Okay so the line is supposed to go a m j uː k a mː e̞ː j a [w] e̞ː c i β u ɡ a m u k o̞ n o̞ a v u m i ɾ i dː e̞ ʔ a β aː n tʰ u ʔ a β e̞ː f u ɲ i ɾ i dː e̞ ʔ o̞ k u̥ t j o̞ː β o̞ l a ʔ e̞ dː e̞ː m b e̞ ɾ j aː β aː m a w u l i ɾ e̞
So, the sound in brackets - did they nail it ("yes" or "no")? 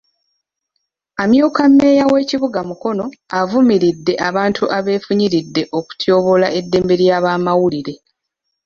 yes